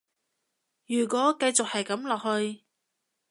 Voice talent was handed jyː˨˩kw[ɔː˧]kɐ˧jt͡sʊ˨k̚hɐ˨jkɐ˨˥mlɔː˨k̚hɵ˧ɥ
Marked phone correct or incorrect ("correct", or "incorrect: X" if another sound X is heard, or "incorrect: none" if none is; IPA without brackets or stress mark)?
incorrect: ɔː˨˥